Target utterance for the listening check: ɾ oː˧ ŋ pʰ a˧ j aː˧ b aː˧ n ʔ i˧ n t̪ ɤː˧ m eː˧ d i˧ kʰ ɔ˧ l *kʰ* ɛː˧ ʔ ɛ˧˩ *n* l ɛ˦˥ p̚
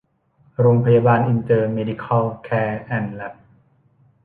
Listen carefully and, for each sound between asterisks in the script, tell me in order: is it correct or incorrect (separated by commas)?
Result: correct, correct